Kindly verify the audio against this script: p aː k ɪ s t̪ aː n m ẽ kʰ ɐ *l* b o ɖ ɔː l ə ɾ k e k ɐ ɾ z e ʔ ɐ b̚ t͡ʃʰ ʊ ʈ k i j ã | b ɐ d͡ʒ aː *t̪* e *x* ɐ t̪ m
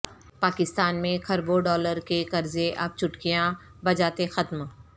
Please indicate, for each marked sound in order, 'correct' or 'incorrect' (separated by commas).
incorrect, correct, correct